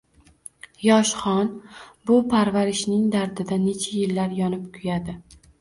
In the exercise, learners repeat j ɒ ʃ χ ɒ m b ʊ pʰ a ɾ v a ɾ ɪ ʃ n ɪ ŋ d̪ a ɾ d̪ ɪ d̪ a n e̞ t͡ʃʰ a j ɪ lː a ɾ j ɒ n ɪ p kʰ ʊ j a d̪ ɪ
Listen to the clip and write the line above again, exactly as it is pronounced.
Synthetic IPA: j ɒ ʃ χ ɒ n b ʊ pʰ a ɾ v a ɾ ɪ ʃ n ɪ ŋ d̪ a ɾ d̪ ɪ d̪ a n e̞ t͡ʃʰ a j ɪ lː a ɾ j ɒ n ɪ p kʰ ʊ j a d̪ ɪ